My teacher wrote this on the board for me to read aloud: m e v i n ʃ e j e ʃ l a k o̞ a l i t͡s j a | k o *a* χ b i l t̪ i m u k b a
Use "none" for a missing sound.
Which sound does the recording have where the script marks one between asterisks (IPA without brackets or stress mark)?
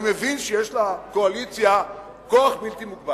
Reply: a